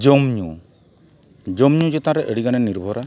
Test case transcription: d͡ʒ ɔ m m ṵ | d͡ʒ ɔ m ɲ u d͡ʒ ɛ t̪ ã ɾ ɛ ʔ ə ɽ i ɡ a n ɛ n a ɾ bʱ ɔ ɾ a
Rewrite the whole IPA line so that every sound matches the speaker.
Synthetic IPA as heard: d͡ʒ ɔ m ɲ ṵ | d͡ʒ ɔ m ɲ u d͡ʒ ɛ t̪ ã ɾ ɛ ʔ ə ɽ i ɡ a n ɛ n i ɾ bʱ ɔ ɾ a